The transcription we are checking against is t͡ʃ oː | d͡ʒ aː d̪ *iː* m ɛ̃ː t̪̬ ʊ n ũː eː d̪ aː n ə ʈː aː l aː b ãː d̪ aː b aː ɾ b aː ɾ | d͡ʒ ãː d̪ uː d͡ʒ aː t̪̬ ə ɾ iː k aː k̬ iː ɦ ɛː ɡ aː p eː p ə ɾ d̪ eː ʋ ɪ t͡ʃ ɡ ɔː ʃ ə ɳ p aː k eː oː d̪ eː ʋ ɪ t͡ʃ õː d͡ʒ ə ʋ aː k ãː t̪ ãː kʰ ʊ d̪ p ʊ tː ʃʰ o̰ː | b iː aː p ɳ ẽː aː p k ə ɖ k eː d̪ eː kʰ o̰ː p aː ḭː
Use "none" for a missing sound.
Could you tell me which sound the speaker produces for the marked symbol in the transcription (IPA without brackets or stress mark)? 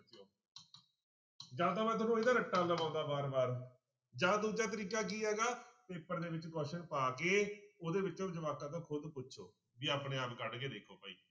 aː